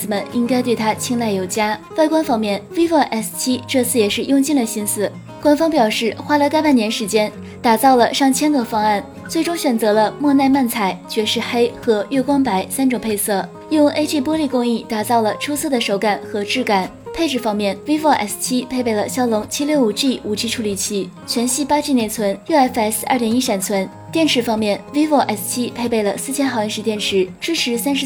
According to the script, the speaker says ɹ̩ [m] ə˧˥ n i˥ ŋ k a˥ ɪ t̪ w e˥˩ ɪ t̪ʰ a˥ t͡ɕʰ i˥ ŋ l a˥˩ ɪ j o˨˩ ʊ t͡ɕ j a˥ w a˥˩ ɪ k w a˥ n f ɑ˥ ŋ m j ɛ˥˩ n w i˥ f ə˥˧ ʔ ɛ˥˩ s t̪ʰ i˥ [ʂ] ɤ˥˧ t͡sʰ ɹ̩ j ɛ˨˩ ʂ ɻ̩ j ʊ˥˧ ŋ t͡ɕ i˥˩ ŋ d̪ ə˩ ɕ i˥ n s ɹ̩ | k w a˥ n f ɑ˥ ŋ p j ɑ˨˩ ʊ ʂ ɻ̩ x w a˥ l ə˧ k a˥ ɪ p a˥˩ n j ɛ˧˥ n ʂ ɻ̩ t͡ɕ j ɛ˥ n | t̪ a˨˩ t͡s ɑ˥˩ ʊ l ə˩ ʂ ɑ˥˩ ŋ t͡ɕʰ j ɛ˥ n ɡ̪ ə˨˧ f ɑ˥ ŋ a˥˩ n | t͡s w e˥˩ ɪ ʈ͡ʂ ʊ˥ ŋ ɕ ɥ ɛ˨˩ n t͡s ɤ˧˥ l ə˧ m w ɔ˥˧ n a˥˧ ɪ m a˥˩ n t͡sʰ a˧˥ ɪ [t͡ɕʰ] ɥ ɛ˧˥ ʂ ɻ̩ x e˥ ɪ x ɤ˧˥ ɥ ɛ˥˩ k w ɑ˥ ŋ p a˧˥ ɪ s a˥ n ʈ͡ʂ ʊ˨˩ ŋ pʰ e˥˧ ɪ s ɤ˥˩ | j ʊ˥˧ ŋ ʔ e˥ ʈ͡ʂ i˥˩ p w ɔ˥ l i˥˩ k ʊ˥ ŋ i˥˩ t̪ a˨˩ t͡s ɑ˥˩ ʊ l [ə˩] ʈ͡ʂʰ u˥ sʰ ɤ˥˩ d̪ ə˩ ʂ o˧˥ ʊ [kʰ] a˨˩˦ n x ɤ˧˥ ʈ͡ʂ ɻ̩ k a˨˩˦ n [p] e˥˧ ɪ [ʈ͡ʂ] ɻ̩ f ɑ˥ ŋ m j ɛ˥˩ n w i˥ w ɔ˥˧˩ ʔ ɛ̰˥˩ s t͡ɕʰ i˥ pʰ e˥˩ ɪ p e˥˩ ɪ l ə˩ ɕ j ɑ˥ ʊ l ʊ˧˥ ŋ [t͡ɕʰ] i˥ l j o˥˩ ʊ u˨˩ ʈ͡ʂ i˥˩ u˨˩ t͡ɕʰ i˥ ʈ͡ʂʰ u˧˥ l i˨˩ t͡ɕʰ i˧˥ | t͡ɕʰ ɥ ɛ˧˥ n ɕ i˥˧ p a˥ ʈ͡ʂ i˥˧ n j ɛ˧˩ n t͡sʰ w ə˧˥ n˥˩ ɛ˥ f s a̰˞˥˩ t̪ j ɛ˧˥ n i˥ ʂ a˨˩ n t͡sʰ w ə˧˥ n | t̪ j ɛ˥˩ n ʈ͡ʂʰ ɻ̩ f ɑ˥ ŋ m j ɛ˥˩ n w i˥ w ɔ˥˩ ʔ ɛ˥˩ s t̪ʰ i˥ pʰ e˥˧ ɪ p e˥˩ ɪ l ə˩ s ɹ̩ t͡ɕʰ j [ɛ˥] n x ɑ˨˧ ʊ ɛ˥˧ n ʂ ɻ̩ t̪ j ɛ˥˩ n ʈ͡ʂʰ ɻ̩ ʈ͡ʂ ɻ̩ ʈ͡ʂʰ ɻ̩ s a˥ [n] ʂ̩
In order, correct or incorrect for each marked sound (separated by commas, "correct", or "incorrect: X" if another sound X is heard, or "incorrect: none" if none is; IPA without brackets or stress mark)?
correct, incorrect: ʈ͡ʂ, incorrect: t͡ɕ, correct, incorrect: k, incorrect: pʰ, correct, correct, correct, correct